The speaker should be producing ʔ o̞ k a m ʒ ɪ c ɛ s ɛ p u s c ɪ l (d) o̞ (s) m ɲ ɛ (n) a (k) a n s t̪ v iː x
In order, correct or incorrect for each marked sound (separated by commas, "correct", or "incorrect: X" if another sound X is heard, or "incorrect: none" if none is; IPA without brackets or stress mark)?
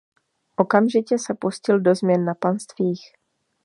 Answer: correct, incorrect: z, incorrect: nː, incorrect: p